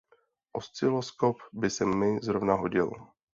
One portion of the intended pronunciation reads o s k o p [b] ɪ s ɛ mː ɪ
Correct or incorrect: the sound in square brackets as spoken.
correct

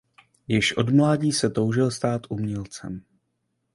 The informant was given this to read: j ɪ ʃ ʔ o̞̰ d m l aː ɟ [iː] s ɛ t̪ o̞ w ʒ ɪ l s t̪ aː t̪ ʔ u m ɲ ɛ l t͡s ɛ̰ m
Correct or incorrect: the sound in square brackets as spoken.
correct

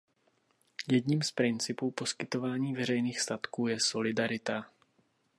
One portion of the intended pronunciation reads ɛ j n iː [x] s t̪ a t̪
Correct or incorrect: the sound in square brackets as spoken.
correct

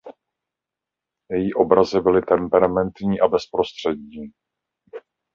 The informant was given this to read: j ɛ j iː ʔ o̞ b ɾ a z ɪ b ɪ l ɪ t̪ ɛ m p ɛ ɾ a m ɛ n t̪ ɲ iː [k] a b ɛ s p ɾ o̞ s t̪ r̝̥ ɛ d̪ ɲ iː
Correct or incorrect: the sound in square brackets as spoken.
incorrect: ʔ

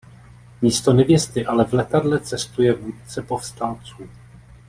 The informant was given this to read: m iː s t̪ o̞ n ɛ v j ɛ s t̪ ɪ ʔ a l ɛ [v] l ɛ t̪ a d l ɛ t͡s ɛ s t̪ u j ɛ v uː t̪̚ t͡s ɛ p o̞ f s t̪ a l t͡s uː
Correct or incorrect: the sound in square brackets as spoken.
correct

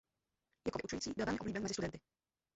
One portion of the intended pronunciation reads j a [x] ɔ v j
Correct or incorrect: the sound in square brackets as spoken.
incorrect: k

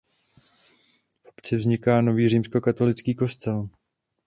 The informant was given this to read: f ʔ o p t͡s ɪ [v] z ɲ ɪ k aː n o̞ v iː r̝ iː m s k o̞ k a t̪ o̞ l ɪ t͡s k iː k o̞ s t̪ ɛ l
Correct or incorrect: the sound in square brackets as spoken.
correct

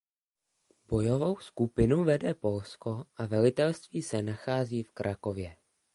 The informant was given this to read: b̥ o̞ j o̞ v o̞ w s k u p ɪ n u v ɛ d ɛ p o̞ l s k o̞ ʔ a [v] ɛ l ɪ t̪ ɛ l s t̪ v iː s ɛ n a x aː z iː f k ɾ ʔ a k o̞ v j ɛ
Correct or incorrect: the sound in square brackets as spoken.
correct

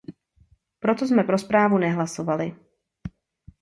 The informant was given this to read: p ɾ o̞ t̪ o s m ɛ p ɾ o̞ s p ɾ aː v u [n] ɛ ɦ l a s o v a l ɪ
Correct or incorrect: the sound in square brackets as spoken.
correct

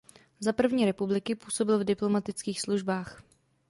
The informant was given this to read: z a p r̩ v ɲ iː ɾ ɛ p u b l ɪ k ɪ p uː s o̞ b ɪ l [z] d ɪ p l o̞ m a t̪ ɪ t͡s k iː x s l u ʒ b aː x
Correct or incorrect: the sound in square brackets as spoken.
incorrect: v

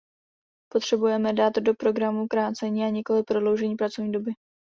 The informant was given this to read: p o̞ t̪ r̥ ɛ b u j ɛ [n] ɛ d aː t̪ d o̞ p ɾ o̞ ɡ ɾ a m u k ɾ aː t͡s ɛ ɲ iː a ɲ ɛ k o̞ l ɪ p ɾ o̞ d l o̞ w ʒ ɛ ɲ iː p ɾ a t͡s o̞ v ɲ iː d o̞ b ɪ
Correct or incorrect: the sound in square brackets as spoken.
incorrect: m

